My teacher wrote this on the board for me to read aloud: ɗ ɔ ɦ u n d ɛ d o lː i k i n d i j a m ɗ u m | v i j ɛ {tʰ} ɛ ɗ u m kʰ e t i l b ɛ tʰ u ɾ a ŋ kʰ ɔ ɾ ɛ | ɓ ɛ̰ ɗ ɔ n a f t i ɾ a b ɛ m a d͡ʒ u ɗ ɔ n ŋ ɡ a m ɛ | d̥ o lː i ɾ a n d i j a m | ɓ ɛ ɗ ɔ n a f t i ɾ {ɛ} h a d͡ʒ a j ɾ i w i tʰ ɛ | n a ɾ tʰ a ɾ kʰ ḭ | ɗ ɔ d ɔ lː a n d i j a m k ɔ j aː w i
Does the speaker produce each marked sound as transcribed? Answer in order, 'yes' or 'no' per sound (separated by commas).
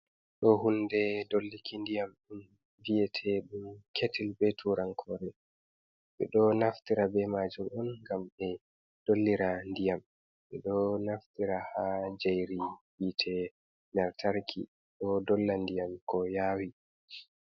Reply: yes, no